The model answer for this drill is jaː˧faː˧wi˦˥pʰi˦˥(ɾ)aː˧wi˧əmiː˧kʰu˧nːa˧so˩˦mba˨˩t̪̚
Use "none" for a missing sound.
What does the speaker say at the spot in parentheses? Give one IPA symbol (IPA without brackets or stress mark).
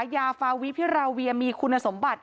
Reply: ɾ